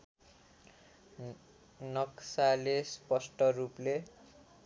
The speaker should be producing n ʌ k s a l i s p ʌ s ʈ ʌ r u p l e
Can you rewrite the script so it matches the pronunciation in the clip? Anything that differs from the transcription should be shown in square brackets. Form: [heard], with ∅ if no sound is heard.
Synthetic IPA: n ʌ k s a l [e] s p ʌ s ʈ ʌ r u p l e